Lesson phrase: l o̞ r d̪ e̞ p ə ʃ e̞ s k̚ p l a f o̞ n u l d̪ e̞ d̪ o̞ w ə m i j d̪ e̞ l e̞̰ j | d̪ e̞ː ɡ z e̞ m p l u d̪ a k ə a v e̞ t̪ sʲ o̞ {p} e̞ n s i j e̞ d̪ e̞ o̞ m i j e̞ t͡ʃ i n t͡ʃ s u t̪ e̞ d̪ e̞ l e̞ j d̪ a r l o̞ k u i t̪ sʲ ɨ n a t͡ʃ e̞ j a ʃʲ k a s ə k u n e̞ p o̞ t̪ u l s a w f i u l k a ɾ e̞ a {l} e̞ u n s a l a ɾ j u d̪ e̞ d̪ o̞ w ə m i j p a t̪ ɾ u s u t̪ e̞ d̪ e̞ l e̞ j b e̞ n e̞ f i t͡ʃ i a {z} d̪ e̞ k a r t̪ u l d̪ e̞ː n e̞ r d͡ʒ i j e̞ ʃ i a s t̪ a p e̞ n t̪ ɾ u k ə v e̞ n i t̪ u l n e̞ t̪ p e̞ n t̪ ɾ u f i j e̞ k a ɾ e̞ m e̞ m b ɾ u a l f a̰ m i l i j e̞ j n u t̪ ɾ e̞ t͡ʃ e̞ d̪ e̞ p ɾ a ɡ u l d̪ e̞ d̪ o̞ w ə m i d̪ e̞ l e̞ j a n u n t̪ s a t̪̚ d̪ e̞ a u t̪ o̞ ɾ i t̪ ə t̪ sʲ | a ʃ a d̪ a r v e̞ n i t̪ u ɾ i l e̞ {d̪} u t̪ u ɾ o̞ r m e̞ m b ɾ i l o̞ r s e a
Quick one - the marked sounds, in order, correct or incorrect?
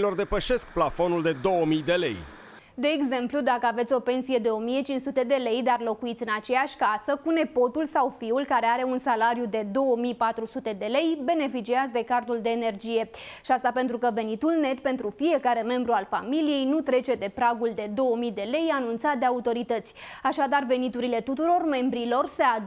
correct, incorrect: ɾ, correct, incorrect: t̪

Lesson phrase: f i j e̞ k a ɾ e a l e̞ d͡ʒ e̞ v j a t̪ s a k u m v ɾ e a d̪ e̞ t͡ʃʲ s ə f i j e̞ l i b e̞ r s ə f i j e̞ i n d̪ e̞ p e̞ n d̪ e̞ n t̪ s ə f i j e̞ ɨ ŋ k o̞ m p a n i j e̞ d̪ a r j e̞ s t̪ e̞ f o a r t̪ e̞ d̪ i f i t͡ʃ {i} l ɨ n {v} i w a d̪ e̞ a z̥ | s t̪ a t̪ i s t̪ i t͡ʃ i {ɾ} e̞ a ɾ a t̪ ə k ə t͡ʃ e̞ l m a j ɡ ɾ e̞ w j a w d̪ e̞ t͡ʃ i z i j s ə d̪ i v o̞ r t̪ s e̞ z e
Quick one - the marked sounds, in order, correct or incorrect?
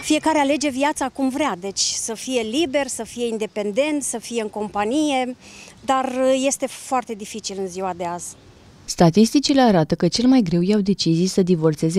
correct, incorrect: z, incorrect: l

